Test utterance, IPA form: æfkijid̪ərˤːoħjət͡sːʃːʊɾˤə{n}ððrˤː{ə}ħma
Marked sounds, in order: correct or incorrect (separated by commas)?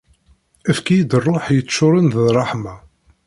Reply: correct, incorrect